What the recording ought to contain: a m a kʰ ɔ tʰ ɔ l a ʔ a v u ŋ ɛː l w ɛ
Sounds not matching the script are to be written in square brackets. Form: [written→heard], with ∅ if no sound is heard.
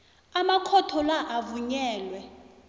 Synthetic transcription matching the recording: a m a kʰ ɔ tʰ ɔ l a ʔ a v u [ŋ→ɲ] ɛː l w ɛ